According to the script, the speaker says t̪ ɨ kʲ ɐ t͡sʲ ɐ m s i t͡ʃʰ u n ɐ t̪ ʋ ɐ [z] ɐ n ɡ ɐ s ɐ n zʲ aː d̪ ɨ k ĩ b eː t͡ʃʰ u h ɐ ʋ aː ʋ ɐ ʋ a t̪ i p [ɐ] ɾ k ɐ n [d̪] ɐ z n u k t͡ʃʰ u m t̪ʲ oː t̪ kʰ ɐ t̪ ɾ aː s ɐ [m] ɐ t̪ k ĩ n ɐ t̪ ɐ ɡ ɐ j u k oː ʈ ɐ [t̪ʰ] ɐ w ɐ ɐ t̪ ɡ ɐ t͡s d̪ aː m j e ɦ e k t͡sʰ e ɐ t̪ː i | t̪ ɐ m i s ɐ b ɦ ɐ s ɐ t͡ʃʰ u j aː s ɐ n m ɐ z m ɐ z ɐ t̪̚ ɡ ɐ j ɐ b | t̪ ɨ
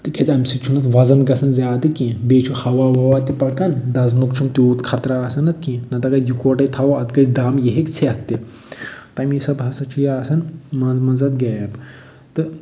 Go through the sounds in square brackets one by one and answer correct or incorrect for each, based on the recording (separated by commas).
correct, correct, correct, incorrect, correct